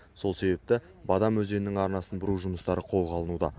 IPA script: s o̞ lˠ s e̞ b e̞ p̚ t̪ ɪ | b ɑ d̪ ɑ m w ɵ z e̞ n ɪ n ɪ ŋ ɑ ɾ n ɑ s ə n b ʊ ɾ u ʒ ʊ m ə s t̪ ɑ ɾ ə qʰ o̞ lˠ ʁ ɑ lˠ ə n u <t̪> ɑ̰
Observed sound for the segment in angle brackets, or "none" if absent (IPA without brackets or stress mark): d̪